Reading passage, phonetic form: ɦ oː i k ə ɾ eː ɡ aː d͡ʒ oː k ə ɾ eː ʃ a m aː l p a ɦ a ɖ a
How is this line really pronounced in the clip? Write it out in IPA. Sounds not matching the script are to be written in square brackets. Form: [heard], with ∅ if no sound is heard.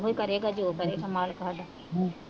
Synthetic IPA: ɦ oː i k ə ɾ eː ɡ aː d͡ʒ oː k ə ɾ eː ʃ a m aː l [k] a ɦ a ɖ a